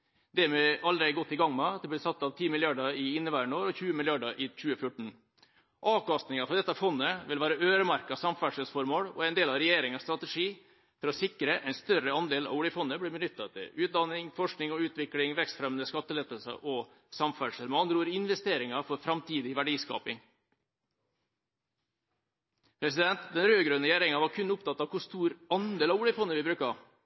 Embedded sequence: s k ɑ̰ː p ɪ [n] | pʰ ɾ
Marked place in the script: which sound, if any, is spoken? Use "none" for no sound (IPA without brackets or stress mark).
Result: ŋ